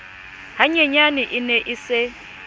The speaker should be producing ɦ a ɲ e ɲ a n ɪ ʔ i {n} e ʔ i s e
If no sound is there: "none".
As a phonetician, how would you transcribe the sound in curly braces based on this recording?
n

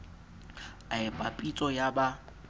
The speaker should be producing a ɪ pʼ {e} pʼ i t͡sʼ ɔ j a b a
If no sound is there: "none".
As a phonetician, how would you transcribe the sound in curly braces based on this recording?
a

